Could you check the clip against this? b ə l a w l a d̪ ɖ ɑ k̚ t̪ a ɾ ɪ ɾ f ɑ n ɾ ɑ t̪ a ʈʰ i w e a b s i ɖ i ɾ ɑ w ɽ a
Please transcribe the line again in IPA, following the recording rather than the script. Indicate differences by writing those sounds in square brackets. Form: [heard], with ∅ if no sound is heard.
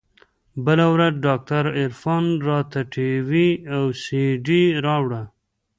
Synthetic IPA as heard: b ə l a w [ɾ] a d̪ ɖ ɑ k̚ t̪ a ɾ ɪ ɾ f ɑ n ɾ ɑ t̪ a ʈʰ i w [i] a [w] s i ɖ i ɾ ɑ w ɽ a